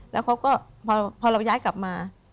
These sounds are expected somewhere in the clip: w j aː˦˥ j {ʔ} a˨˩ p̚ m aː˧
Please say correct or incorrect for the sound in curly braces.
incorrect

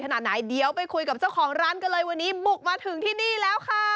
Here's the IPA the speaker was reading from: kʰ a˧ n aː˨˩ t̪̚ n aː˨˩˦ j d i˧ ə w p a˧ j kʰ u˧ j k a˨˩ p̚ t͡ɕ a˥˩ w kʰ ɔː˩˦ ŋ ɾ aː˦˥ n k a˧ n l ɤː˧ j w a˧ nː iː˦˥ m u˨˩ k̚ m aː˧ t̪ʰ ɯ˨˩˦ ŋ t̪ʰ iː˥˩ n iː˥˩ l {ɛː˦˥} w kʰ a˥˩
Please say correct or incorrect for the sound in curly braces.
correct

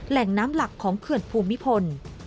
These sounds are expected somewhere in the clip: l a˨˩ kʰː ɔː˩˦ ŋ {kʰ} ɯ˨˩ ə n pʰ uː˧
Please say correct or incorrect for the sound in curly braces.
correct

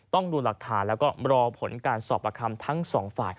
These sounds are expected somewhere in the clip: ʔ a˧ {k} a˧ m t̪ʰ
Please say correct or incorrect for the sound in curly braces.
incorrect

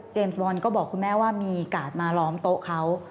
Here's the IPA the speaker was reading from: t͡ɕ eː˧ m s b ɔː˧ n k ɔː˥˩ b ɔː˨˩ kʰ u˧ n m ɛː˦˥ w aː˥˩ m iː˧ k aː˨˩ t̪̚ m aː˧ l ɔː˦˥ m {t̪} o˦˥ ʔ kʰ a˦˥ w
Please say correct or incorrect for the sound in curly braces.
correct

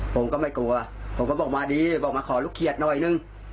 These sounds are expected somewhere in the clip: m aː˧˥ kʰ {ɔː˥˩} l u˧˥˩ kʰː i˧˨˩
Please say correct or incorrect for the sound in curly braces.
incorrect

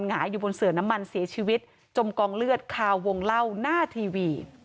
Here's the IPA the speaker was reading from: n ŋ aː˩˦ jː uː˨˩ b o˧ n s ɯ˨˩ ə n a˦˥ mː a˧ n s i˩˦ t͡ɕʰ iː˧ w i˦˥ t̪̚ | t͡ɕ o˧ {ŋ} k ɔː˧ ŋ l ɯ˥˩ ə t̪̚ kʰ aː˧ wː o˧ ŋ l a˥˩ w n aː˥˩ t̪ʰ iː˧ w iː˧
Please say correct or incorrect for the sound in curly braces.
incorrect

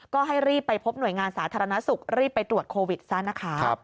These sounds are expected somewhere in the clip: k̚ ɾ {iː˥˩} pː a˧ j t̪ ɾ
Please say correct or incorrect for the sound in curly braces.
correct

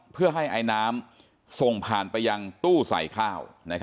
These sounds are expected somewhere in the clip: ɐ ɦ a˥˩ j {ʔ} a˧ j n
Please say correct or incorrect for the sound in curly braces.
correct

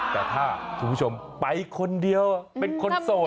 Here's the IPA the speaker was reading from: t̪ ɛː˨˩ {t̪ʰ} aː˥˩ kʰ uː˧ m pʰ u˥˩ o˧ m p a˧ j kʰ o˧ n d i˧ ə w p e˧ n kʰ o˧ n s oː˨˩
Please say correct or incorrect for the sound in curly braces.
correct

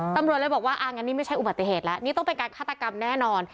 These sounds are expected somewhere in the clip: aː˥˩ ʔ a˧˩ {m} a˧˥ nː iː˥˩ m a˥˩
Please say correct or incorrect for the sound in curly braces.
incorrect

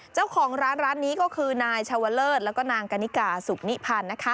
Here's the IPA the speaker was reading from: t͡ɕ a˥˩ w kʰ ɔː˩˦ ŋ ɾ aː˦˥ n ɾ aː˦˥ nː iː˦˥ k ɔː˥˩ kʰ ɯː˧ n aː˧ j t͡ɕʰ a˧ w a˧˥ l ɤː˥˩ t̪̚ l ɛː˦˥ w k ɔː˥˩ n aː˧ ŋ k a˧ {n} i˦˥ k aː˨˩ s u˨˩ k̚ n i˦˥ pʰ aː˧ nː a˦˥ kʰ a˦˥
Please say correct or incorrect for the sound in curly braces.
correct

